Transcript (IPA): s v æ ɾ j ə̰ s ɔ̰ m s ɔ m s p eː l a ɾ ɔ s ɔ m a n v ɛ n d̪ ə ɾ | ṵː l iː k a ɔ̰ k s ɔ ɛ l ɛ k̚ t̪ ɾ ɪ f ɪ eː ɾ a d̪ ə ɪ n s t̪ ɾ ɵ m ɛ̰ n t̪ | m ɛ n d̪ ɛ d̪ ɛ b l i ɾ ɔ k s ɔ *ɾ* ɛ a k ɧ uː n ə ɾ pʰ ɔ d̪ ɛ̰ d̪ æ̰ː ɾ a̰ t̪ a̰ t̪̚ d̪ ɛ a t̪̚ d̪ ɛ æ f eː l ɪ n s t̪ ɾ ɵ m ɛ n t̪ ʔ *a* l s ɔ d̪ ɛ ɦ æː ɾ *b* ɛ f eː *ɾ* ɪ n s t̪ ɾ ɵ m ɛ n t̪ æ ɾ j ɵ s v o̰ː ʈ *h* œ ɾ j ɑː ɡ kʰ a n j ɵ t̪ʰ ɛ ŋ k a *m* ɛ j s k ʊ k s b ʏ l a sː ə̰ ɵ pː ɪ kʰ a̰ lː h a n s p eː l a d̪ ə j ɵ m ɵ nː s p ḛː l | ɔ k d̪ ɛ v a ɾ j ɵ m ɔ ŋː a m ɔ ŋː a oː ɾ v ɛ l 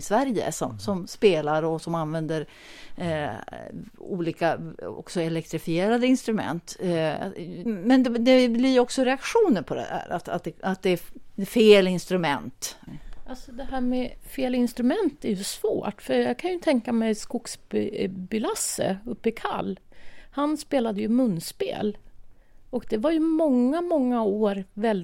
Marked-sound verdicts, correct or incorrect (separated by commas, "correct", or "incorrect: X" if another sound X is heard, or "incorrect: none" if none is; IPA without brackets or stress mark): correct, correct, incorrect: m, incorrect: l, incorrect: f, correct